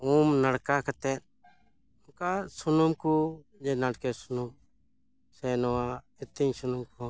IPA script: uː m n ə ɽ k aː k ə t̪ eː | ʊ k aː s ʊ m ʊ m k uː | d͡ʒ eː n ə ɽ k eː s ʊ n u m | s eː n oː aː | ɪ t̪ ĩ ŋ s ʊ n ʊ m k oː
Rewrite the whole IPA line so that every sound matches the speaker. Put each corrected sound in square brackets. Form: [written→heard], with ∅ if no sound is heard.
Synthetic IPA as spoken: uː m n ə ɽ k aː k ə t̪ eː | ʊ k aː s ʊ [m→n] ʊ m k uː | d͡ʒ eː n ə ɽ k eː s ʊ n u m | s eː n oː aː | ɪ t̪ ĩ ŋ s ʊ n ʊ m k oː

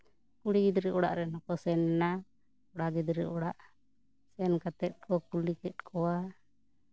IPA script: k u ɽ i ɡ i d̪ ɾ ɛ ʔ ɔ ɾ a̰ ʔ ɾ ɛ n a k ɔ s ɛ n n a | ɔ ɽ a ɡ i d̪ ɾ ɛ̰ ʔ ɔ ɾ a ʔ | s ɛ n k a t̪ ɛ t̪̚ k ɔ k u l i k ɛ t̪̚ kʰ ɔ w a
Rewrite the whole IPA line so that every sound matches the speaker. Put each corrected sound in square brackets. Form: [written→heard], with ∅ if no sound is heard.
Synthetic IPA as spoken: k u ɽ i ɡ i d̪ ɾ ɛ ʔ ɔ [ɾ→ɽ] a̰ ʔ ɾ ɛ n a k ɔ s ɛ n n a | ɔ ɽ a ɡ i d̪ ɾ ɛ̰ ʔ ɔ [ɾ→ɽ] a ʔ | s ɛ n k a t̪ ɛ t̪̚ k ɔ k u l i k ɛ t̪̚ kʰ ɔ w a

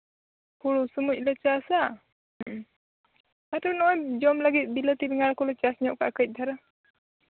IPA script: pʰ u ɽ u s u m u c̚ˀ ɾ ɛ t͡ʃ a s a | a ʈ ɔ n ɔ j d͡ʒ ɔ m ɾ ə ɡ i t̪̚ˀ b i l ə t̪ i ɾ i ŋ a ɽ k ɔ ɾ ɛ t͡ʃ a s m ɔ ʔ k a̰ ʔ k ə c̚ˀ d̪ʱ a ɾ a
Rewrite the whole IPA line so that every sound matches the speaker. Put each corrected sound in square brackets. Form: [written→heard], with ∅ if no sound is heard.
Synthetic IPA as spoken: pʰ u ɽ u s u m u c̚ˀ [ɾ→l] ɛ t͡ʃ a s a | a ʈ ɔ n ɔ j d͡ʒ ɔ m [ɾ→l] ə ɡ i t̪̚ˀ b i l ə t̪ i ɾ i ŋ a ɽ k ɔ [ɾ→l] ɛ t͡ʃ a s [m→ɲ] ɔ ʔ k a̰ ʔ k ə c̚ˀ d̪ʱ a ɾ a

